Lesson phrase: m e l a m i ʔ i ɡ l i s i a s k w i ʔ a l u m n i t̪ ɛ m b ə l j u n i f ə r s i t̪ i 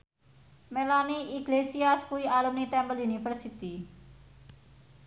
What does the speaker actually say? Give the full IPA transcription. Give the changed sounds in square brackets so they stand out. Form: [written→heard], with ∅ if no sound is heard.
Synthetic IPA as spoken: m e l a [m→n] i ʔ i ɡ l [i→e] s i a s k [w→u] i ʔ a l u m n i t̪ ɛ m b ə l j u n i f ə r s i t̪ i